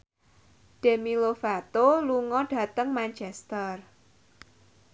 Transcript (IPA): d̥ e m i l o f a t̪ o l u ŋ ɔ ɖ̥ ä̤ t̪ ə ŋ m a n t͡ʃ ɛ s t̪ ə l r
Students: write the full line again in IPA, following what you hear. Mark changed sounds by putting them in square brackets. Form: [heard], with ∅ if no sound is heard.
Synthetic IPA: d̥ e m i l o f a t̪ o l u ŋ ɔ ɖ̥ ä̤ t̪ ə ŋ m a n t͡ʃ ɛ s t̪ ə [∅] r